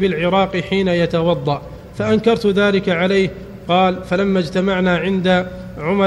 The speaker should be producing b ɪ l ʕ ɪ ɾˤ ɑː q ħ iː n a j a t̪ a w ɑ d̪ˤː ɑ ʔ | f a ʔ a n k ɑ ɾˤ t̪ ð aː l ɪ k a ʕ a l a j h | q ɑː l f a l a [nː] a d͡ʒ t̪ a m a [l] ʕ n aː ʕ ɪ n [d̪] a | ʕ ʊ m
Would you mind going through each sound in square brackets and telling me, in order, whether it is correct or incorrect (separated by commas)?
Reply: incorrect, incorrect, correct